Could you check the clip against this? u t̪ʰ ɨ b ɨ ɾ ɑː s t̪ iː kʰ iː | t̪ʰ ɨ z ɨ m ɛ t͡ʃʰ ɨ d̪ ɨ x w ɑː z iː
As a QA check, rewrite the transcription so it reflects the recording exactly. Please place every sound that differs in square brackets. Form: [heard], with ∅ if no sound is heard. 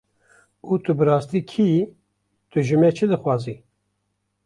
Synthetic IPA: u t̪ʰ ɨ b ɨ ɾ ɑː s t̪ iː kʰ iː | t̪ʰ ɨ [ʒ] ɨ m ɛ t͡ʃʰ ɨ d̪ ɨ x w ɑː z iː